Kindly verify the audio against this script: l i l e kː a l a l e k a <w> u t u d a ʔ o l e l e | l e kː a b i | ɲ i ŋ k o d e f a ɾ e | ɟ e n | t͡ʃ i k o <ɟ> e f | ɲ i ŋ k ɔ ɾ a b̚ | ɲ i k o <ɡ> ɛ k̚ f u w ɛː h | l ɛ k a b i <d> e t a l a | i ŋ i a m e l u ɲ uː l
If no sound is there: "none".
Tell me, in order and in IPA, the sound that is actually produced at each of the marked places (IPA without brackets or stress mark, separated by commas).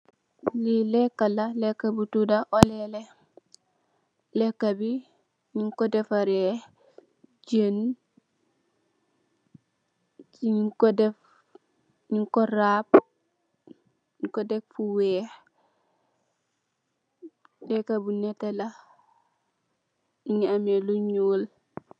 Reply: b, d, d, n